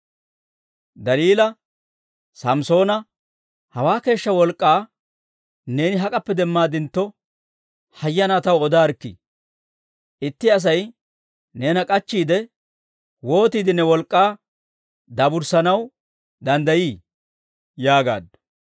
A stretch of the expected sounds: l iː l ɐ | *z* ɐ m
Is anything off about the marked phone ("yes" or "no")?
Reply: yes